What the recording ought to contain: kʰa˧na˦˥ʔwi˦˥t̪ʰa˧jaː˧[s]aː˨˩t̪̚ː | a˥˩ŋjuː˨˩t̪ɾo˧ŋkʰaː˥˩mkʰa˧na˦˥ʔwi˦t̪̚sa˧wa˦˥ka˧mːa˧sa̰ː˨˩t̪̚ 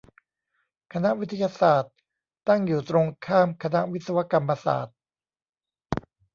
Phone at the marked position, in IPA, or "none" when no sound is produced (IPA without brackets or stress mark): s